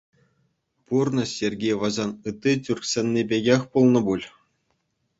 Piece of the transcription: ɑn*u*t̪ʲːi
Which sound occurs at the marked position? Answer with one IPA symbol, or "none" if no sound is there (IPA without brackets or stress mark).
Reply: ɯ